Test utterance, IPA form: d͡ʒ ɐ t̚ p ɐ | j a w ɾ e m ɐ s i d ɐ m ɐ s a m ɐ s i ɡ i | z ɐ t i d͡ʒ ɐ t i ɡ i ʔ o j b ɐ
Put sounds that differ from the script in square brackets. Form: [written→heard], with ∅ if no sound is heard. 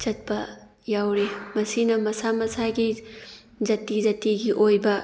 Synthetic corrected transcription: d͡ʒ ɐ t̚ p ɐ | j a w ɾ e m ɐ s i [d→n] ɐ m ɐ s a m ɐ s [i→a] ɡ i | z ɐ t i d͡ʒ ɐ t i ɡ i ʔ o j b ɐ